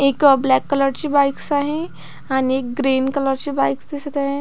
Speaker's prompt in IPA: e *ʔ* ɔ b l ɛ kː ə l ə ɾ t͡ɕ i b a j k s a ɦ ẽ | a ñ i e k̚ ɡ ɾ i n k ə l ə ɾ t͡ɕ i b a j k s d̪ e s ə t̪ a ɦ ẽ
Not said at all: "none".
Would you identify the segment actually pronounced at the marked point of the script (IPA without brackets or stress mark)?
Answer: k